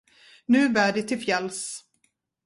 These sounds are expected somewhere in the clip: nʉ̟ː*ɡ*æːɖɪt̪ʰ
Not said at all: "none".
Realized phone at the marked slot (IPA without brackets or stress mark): b